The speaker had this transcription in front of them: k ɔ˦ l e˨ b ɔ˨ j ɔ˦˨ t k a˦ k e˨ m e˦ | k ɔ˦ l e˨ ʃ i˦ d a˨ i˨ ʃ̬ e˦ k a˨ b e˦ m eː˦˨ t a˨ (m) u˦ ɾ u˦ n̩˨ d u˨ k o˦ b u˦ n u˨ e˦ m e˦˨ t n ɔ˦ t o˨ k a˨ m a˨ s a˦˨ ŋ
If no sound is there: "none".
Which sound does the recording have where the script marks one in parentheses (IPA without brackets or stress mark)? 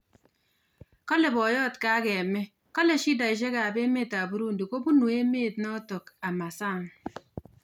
b